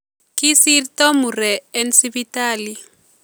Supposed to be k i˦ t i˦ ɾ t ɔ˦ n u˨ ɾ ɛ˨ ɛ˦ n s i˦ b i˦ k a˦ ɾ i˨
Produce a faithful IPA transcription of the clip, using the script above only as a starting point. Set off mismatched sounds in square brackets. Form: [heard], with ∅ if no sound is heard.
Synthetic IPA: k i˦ [s] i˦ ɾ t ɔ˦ [m] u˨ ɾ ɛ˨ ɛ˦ n s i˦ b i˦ [t] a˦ [l] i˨